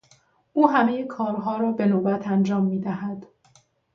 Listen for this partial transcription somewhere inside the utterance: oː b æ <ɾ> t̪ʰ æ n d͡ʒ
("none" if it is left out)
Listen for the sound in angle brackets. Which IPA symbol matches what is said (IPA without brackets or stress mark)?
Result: none